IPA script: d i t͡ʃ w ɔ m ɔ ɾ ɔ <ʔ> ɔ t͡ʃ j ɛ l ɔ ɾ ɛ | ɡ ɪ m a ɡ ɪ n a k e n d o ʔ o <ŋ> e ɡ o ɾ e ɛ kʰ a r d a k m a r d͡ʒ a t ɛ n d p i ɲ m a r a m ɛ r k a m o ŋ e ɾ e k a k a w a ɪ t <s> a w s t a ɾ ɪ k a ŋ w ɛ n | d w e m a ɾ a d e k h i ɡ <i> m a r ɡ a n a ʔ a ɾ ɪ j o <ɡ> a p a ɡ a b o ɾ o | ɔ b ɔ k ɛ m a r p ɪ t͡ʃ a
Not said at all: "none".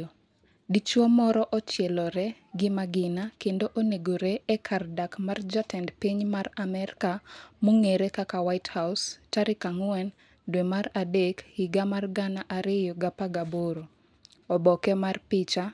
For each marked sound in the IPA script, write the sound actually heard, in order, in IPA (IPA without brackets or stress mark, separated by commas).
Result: ʔ, n, h, a, ɡ